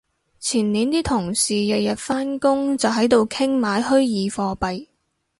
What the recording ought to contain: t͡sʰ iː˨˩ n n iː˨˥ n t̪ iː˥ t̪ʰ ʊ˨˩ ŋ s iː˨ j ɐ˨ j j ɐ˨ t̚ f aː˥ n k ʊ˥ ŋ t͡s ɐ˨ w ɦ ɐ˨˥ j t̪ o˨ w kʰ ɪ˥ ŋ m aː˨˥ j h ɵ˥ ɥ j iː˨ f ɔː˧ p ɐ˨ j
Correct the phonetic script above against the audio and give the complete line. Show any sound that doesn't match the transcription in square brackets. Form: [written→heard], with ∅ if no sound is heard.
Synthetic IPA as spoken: t͡sʰ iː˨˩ n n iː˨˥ n t̪ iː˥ t̪ʰ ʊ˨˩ ŋ s iː˨ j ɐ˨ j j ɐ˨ t̚ f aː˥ n k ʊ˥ ŋ t͡s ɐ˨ w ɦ ɐ˨˥ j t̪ o˨ w kʰ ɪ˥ ŋ m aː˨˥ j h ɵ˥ ɥ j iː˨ f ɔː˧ p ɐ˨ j